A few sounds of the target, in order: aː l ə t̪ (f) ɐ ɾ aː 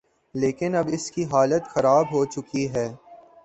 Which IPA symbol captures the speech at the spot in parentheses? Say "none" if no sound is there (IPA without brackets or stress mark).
x